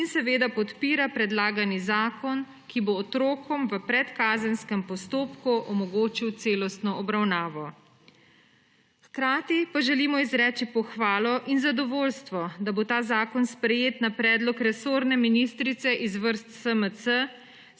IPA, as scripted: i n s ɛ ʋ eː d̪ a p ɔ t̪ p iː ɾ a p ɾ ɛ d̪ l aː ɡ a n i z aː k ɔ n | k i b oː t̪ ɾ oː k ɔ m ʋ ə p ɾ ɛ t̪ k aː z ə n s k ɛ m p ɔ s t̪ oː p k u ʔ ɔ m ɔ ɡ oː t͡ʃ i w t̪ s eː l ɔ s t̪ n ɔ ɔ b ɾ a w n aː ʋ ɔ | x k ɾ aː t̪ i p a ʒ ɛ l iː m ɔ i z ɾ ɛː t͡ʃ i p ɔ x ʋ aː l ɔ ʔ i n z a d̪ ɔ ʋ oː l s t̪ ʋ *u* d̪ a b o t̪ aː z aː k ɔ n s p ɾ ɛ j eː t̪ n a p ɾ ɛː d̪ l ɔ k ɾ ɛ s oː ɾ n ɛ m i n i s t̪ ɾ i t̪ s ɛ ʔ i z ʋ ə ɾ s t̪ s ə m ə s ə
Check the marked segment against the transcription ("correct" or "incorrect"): incorrect